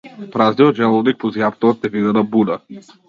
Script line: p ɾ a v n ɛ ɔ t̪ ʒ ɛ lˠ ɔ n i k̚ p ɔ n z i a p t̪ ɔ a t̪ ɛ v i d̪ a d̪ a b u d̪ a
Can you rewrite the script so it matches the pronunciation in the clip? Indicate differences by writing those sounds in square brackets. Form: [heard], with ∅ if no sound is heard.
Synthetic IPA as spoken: p ɾ a [z] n [i] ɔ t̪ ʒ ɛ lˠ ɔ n i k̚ p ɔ [∅] z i a p t̪ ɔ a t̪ ɛ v i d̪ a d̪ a b u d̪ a